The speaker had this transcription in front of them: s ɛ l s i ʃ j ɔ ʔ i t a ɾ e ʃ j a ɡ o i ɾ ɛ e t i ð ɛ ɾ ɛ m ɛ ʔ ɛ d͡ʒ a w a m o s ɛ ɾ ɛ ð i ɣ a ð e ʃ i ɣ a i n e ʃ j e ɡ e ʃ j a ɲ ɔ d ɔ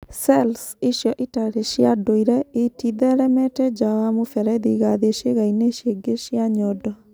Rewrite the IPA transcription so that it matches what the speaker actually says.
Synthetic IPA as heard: s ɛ l s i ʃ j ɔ ʔ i t a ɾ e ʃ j a d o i ɾ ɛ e t i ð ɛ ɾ ɛ m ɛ t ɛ d͡ʒ a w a m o f ɛ ɾ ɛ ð i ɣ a ð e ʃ e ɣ a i n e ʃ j e ɡ e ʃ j a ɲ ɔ d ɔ